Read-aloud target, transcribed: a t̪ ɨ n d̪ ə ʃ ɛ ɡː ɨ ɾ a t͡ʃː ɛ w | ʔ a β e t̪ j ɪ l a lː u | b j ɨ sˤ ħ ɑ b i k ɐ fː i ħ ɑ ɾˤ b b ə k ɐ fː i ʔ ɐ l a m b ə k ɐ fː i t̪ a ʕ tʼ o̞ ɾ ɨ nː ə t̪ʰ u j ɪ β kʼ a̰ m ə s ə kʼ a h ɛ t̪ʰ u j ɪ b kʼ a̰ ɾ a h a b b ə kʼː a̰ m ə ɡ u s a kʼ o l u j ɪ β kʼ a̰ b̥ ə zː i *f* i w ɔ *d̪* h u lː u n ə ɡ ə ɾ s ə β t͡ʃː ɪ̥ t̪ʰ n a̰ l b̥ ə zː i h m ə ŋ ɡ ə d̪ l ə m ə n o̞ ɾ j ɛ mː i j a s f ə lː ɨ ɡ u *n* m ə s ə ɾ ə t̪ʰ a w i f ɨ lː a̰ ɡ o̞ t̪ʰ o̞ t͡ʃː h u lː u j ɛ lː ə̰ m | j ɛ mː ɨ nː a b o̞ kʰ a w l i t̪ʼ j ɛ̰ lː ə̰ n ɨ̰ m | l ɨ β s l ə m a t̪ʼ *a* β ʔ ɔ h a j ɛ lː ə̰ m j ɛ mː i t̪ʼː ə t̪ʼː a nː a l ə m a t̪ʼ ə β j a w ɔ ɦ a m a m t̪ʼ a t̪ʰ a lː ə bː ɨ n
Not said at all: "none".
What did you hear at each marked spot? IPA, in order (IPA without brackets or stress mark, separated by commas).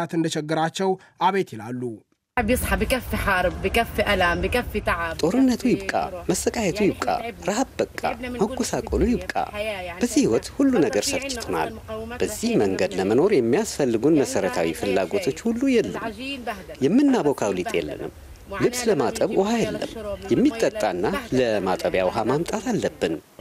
h, t̪, n, ə